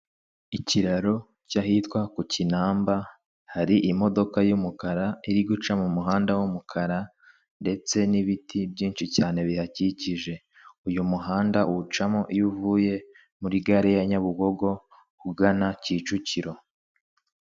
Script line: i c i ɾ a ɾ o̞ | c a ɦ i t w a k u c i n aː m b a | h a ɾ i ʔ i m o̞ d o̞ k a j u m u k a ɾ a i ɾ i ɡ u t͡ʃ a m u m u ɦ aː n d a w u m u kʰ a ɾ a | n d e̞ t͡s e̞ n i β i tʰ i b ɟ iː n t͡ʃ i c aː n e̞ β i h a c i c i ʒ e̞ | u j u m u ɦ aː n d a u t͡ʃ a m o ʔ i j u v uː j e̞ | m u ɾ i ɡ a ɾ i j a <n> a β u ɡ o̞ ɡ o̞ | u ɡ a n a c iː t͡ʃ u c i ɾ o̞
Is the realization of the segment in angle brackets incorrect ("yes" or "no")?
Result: yes